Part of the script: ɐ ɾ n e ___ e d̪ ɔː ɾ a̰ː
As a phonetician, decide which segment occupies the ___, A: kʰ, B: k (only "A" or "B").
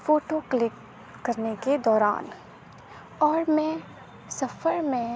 B